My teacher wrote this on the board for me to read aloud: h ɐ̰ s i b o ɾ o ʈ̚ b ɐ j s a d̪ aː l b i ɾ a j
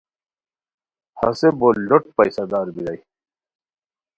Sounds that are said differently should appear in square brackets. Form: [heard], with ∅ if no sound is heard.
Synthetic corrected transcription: h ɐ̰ s [e] b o [l] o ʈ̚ [p] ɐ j s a d̪ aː [ɾ] b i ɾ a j